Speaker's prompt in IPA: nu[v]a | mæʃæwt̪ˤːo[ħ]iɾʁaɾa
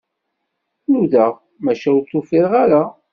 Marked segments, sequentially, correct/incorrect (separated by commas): incorrect, incorrect